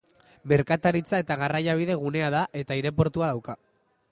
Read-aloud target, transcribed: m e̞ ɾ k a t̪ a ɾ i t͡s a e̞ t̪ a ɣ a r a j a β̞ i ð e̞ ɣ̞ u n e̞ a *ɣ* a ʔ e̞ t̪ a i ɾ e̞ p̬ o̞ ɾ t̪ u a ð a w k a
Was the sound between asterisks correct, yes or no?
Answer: no